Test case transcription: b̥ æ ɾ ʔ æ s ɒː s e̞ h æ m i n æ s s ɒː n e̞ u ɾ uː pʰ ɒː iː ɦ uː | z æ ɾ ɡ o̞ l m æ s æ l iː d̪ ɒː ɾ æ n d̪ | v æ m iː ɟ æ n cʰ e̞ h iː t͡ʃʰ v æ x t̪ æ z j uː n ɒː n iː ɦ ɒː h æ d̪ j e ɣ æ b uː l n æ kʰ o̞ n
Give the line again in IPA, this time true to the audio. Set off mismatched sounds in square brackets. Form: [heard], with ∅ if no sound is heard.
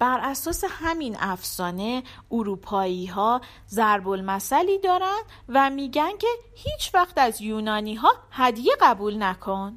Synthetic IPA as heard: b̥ æ ɾ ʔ æ s ɒː s e̞ h æ m i n æ [f] s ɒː n e̞ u ɾ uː pʰ ɒː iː ɦ [ɒː] | z æ ɾ [b] o̞ l m æ s æ l iː d̪ ɒː ɾ æ n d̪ | v æ m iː ɟ æ n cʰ e̞ h iː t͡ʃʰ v æ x t̪ æ z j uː n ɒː n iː ɦ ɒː h æ d̪ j e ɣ æ b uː l n æ kʰ o̞ n